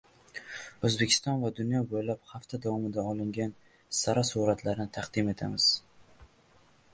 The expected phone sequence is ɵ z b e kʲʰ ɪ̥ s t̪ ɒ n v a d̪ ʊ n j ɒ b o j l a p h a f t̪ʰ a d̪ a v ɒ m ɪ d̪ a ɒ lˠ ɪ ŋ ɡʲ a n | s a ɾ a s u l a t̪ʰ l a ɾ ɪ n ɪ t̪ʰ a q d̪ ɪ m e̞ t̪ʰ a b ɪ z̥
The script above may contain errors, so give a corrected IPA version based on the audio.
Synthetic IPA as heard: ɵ z b e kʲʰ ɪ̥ s t̪ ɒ n v a d̪ ʊ n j ɒ b o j l a p h a f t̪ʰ a d̪ a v ɒ m ɪ d̪ a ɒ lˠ ɪ ŋ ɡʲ a n | s a ɾ a s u ɾ a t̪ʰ l a ɾ ɪ n ɪ t̪ʰ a q d̪ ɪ m e̞ t̪ʰ a m ɪ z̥

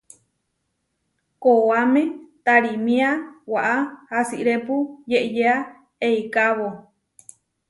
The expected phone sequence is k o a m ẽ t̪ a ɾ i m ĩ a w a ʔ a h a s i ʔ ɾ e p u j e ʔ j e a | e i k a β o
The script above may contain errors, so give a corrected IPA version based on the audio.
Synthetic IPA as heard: k o a m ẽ t̪ a ɾ i m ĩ a w a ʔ a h a s i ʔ ɾ e p u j e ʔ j e a | e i k a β o

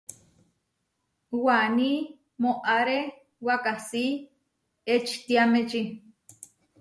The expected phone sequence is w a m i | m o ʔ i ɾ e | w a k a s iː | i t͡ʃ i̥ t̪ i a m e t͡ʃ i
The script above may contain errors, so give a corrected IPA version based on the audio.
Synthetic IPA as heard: w a n i | m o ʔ a ɾ e | w a k a s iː | e t͡ʃ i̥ t̪ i a m e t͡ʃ i

